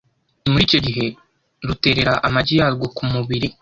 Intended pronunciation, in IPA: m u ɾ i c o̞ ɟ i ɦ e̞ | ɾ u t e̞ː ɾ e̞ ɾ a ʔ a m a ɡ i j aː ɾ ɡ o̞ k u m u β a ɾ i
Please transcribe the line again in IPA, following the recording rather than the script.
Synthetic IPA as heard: m u ɾ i c o̞ ɟ i ɦ e̞ | ɾ u t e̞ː ɾ e̞ ɾ a ʔ a m a ɟ i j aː ɾ ɡ o̞ k u m u β i ɾ i